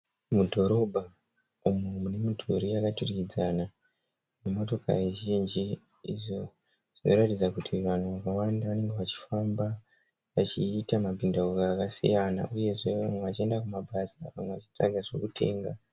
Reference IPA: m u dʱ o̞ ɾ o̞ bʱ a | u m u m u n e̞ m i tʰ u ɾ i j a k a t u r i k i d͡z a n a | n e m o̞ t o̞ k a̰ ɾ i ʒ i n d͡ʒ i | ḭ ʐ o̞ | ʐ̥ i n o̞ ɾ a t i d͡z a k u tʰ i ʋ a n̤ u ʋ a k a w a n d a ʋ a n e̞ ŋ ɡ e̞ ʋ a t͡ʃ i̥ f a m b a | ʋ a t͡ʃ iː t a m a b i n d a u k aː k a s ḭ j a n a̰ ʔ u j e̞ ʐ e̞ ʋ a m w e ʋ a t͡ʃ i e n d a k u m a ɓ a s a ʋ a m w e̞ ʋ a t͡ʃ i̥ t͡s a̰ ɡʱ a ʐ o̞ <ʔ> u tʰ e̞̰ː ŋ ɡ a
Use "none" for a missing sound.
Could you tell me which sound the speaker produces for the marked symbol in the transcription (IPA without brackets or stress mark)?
k